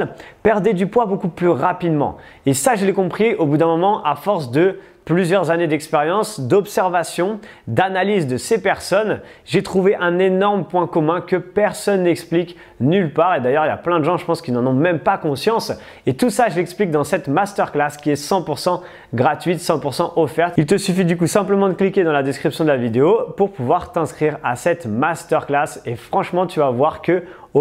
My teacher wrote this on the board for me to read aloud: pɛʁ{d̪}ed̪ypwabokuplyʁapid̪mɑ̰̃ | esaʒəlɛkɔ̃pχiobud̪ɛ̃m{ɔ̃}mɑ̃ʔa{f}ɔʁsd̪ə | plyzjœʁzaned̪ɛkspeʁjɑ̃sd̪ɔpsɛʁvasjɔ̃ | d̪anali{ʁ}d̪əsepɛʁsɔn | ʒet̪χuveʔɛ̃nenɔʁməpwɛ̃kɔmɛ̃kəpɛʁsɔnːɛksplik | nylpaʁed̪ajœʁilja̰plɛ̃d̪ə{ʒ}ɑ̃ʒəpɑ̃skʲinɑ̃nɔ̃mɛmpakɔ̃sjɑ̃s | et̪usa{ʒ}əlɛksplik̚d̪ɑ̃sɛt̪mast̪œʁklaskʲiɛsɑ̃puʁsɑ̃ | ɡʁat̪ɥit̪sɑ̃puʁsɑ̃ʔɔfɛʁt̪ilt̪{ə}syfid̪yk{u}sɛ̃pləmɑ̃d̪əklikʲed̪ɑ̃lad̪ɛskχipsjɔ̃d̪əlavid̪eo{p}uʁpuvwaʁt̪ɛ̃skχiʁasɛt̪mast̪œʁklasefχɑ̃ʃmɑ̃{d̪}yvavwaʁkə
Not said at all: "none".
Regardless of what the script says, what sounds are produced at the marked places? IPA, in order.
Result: d̪, ɔ, f, z, ʒ, ʒ, ə, u, p, t̪

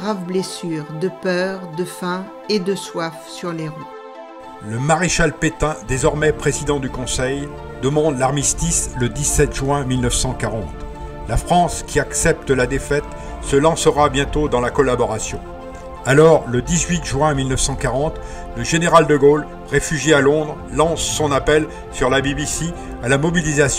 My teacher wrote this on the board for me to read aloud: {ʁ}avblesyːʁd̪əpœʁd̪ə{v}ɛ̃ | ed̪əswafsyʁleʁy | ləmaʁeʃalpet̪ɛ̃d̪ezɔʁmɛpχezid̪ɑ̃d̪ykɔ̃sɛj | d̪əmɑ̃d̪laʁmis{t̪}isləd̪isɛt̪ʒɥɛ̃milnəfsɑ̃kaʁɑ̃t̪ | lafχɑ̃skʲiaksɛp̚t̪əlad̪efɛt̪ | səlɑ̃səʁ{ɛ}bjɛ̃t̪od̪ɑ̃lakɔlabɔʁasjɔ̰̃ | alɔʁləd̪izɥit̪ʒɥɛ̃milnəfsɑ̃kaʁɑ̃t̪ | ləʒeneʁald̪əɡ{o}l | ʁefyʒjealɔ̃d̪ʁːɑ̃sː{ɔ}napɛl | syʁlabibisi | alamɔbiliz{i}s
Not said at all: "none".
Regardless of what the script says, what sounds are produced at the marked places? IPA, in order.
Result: ʁ, f, t̪, a, o, ɔ̃, a

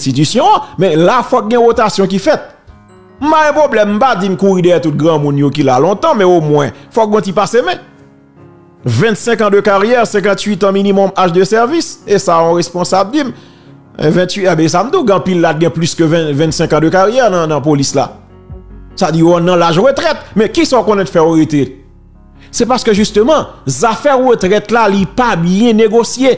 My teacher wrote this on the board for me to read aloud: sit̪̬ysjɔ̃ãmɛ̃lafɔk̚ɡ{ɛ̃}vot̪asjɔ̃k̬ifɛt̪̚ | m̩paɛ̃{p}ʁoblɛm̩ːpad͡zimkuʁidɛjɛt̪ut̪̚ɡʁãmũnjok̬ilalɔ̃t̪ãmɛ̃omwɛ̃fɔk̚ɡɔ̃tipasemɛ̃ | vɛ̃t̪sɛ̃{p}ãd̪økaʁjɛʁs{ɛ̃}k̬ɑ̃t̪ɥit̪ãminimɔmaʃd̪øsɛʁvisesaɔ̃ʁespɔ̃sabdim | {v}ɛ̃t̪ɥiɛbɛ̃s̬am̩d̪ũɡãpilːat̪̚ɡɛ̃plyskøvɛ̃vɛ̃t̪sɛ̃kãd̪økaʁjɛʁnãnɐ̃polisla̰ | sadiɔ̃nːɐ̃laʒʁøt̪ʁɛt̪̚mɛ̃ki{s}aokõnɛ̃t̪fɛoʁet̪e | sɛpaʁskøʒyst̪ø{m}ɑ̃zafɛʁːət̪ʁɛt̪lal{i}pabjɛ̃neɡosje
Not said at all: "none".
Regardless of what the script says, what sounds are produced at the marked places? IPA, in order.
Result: ɛ̃, p, k, ɛ̃, v, s, m, i

